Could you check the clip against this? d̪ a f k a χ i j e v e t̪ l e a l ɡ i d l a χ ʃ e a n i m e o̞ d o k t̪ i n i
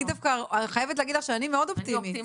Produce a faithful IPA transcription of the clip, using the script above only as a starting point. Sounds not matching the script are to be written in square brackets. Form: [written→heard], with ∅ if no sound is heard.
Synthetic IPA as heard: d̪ a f k a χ [i→a] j e v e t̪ l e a [l→∅] ɡ i d l a χ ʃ e a n i m e o̞ d o [k→p] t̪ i [n→m] i